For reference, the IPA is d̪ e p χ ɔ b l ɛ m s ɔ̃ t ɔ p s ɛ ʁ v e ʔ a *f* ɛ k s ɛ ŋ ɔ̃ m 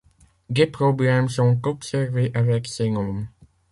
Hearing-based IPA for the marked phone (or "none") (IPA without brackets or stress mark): v